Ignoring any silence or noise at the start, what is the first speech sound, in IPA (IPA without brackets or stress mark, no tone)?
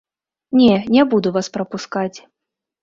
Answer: nʲ